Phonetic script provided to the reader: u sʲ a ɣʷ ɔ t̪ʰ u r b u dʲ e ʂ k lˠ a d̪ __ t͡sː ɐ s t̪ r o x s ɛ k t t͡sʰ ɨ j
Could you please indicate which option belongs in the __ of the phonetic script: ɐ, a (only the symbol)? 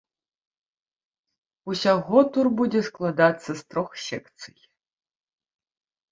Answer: a